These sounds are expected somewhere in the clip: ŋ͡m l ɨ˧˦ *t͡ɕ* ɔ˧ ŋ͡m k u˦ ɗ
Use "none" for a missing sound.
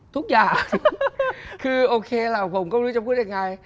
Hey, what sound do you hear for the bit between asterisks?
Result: t͡ɕ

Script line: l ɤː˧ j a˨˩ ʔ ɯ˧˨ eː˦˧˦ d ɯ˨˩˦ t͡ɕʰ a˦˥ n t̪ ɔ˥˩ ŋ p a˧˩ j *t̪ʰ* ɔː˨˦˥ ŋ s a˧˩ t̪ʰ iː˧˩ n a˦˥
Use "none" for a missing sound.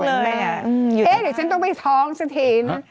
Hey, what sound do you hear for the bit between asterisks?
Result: t̪ʰ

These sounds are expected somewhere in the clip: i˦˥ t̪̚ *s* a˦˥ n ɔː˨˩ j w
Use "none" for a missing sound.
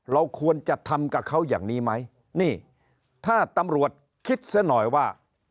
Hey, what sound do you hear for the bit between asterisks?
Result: s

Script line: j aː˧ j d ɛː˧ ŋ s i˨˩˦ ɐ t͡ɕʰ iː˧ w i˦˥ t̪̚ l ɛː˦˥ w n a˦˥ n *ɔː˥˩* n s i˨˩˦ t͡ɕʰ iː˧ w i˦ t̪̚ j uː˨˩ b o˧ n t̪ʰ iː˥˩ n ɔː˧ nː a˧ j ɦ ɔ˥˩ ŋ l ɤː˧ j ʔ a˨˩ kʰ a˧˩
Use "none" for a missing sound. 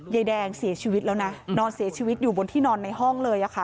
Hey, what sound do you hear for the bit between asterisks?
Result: ɔː˧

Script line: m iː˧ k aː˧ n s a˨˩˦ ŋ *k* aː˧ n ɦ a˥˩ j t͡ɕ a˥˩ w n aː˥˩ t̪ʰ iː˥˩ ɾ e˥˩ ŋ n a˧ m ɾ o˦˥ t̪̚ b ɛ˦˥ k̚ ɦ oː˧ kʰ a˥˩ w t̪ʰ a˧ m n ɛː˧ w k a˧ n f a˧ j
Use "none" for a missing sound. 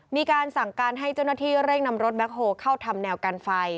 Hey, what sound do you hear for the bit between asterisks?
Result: k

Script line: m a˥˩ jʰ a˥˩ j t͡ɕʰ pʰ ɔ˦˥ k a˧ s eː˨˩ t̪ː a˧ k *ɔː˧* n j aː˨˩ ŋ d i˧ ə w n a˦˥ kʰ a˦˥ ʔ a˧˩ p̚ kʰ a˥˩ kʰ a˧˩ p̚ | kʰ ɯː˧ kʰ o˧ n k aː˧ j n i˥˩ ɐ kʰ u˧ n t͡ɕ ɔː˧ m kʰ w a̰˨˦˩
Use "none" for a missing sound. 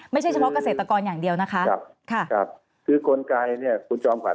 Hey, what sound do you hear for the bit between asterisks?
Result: ɔː˧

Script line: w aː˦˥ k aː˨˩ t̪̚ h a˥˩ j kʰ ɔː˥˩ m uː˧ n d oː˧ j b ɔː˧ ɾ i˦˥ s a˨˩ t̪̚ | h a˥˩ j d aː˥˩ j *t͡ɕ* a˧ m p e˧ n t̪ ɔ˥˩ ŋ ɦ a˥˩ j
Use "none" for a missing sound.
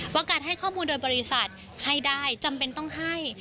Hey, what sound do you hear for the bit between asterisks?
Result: t͡ɕ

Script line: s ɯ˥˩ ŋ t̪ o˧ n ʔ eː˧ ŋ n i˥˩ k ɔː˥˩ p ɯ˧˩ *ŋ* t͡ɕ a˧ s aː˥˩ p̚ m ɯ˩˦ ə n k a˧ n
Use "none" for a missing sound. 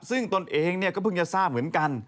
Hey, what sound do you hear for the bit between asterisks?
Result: ŋ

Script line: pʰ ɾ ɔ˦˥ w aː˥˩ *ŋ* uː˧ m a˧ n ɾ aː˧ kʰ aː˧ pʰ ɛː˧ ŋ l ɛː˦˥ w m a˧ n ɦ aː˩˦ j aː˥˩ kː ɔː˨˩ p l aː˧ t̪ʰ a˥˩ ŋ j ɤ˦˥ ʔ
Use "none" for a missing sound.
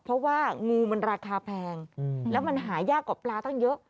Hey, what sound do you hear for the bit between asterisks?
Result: ŋ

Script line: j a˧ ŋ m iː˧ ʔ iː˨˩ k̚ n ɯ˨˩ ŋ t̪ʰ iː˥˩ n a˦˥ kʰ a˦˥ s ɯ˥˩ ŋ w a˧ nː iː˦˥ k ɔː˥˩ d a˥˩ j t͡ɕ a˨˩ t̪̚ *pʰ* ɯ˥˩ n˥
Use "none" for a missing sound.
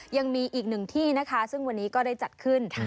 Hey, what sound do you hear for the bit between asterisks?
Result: kʰ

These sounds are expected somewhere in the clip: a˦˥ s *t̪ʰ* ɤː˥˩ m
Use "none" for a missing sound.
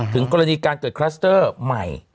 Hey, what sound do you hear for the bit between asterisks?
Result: t̪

